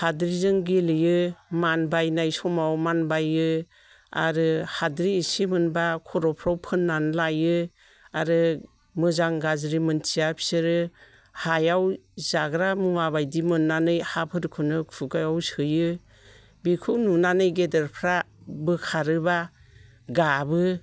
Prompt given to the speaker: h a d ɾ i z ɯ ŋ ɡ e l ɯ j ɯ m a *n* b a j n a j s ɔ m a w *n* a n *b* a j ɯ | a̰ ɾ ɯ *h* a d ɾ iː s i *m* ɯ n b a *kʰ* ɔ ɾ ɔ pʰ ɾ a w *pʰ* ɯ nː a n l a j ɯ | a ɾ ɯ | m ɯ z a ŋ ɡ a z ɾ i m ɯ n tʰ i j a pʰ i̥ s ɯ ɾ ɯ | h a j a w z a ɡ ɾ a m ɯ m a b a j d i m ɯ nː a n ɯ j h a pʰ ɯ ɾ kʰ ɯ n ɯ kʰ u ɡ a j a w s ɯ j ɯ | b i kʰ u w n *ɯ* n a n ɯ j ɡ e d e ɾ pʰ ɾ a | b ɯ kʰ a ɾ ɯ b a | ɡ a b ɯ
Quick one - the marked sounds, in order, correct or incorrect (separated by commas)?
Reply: correct, incorrect, correct, correct, correct, correct, correct, incorrect